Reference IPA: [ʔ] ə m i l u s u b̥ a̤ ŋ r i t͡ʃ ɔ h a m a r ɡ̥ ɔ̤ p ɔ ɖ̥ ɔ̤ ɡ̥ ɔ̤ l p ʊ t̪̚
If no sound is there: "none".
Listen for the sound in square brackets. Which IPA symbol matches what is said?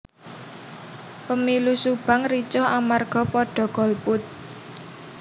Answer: p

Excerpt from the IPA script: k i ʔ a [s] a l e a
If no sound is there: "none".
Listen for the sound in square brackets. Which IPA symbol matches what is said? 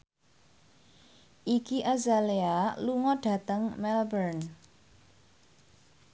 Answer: z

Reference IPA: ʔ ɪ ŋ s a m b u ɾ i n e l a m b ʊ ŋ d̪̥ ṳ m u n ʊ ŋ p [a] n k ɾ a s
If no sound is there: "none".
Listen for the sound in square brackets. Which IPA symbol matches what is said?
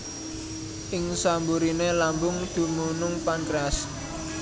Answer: a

